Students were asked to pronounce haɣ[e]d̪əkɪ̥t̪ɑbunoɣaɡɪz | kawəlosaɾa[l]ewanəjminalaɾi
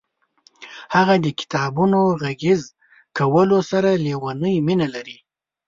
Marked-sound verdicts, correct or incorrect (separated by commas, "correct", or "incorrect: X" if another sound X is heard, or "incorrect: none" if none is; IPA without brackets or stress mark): incorrect: a, correct